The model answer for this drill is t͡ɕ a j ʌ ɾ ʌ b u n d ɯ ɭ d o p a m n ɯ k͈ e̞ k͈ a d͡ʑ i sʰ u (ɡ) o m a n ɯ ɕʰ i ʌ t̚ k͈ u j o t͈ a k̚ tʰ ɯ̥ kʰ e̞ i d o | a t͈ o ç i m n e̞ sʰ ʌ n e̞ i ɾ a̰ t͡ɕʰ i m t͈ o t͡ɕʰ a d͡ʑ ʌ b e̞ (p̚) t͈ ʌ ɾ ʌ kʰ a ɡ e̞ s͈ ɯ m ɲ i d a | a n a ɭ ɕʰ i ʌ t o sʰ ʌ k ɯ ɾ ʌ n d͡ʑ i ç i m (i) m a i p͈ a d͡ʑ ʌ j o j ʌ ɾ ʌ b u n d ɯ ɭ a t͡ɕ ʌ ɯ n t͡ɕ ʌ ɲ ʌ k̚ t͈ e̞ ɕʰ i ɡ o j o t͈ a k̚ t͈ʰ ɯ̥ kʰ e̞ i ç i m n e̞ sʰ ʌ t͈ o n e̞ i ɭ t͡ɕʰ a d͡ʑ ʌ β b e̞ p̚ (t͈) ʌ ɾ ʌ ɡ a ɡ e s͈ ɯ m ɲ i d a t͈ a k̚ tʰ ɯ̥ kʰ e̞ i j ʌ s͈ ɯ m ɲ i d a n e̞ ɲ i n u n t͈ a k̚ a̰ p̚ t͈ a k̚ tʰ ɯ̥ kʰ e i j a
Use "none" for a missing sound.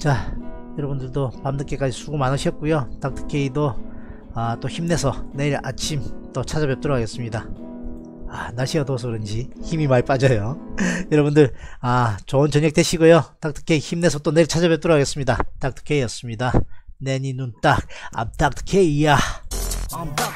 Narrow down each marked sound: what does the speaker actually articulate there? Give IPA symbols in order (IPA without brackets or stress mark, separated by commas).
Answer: ɡ, p̚, i, t͈